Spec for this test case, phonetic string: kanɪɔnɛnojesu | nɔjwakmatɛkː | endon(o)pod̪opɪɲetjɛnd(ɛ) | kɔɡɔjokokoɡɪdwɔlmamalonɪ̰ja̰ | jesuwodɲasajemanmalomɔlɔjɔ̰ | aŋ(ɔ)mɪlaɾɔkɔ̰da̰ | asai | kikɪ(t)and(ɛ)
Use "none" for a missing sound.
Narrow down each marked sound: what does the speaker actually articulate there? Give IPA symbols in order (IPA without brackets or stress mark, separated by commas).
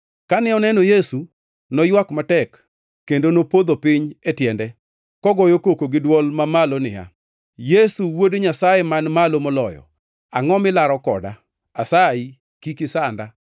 o, ɛ, ɔ, s, a